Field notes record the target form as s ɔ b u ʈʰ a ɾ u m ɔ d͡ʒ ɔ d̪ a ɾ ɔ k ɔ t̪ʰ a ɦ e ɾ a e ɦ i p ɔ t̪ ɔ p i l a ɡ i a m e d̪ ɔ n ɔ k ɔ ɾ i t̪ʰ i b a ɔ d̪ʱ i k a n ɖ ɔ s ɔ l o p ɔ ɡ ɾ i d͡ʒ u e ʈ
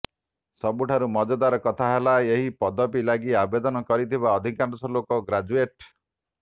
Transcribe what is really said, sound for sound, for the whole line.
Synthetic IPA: s ɔ b u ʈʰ a ɾ u m ɔ d͡ʒ ɔ d̪ a ɾ ɔ k ɔ t̪ʰ a ɦ e l a e ɦ i p ɔ d̪ ɔ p i l a ɡ i a b e d̪ ɔ n ɔ k ɔ ɾ i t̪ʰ i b a ɔ d̪ʱ i k a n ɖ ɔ s ɔ l o k ɔ ɡ ɾ a d͡ʒ u e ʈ